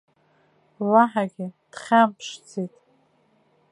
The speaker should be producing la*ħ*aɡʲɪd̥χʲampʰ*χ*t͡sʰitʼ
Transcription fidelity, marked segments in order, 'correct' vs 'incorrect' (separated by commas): correct, incorrect